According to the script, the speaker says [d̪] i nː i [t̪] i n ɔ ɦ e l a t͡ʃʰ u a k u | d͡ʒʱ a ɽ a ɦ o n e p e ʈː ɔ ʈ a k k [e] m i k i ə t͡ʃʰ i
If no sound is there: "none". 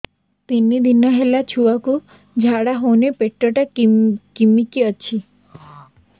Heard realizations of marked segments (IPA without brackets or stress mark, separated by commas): t̪, d̪, i